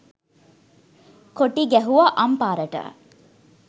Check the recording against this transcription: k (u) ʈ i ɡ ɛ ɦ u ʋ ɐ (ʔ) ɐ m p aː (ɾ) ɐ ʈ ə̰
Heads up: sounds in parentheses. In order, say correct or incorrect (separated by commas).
incorrect, correct, correct